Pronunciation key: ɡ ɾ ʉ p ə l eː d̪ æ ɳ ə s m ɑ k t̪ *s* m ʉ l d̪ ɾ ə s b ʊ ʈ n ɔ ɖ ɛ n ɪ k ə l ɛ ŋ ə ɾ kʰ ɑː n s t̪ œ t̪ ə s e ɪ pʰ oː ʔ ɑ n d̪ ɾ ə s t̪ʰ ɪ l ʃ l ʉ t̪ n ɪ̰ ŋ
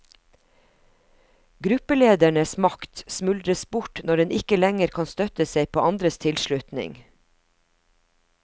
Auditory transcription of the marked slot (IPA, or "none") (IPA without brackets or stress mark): s